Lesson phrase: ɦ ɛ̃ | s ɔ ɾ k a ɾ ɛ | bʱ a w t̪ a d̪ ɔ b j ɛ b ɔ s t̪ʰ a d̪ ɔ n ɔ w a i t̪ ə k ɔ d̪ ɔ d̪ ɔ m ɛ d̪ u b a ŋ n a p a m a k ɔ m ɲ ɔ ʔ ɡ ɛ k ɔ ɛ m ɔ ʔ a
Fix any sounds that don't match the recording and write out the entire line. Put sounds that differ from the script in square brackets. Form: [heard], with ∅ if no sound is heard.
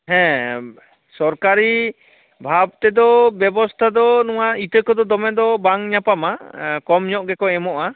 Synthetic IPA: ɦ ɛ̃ | s ɔ ɾ k a ɾ [i] | bʱ a [b] t̪ [ɛ] d̪ ɔ b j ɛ b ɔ s t̪ʰ a d̪ ɔ n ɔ w a i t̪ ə k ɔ d̪ ɔ d̪ ɔ m ɛ d̪ [ɔ] b a ŋ [ɲ] a p a m a k ɔ m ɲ ɔ ʔ ɡ ɛ k ɔ ɛ m ɔ ʔ a